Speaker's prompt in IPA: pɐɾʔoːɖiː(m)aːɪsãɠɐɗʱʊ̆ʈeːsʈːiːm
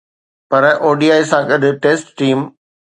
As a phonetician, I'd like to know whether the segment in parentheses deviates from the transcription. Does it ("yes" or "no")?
yes